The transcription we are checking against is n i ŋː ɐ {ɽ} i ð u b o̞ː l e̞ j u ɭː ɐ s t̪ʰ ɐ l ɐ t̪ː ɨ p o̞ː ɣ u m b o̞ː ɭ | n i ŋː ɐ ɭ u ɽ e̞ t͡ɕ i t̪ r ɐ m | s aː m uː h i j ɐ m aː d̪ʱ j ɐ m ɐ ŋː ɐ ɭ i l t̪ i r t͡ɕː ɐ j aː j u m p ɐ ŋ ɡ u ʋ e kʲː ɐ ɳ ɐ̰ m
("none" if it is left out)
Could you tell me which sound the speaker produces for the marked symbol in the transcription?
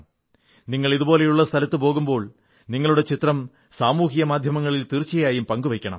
ɭ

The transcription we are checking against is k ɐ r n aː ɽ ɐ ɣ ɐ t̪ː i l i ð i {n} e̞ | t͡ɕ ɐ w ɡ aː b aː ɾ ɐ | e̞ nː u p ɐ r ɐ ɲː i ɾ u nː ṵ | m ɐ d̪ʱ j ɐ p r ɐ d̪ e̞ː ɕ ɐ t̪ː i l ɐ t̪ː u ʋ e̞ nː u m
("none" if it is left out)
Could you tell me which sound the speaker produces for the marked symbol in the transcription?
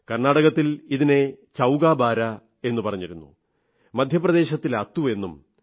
n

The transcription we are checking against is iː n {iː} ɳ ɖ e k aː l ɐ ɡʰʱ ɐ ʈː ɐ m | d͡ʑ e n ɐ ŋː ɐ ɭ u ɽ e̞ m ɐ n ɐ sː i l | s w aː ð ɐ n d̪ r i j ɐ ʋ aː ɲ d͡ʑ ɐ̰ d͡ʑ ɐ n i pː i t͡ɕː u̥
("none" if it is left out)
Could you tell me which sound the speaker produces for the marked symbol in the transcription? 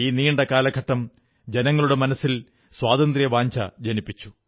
iː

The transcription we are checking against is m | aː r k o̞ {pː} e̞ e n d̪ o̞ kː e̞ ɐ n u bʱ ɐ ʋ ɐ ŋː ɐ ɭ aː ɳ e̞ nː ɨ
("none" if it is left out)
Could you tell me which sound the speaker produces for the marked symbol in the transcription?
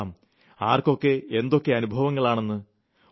kː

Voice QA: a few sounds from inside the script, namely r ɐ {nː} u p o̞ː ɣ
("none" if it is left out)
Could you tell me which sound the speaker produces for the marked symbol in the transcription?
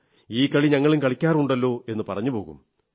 ɲː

